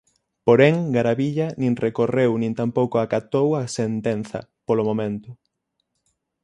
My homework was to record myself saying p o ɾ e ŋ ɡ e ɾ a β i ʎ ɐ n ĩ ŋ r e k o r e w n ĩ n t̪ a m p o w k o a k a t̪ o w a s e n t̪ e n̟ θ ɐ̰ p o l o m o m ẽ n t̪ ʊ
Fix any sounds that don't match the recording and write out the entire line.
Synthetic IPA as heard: p o ɾ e ŋ ɡ a ɾ a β i ʎ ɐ n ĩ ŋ r e k o r e w n ĩ n t̪ a m p o w k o a k a t̪ o w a s e n t̪ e n̟ θ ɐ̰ p o l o m o m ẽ n t̪ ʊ